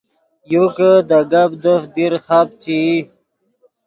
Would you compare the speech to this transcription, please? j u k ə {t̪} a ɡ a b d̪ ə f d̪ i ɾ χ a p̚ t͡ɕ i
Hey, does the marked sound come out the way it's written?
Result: no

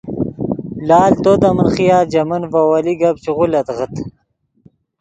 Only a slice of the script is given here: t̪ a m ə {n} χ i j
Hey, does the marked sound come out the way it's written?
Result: yes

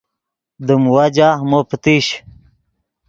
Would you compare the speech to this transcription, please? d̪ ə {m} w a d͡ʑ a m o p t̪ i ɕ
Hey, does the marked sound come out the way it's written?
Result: yes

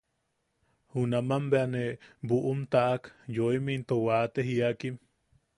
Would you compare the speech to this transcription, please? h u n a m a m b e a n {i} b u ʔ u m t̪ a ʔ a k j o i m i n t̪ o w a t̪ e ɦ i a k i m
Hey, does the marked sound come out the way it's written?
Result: no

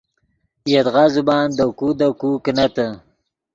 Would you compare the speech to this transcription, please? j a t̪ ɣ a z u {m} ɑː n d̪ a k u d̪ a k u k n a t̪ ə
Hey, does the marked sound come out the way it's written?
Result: no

